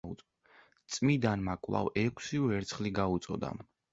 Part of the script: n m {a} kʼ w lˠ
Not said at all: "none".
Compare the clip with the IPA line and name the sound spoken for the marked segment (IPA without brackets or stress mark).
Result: a